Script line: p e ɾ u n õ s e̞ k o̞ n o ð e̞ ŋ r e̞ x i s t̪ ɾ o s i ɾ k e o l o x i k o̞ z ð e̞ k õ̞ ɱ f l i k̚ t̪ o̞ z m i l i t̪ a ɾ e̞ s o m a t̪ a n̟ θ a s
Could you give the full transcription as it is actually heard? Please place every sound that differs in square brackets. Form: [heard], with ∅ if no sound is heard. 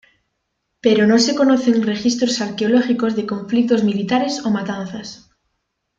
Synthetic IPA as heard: p e ɾ [o] n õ s e̞ k o̞ n o [θ] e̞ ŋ r e̞ x i s t̪ ɾ o s [a] ɾ k e o l o x i k o̞ z ð e̞ k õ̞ ɱ f l i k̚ t̪ o̞ z m i l i t̪ a ɾ e̞ s o m a t̪ a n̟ θ a s